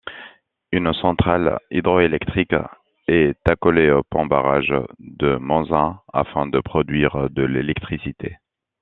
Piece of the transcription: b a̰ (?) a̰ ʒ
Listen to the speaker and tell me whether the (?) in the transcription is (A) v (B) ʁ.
B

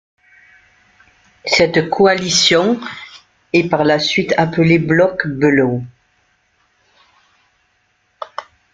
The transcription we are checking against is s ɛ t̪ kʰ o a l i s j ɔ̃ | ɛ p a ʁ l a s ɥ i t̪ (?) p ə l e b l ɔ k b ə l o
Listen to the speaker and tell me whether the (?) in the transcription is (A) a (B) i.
A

